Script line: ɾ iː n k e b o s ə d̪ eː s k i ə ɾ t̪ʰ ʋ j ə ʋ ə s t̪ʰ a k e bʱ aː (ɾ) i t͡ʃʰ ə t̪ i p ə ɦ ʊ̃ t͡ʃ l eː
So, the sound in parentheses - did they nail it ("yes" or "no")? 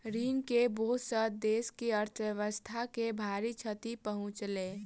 yes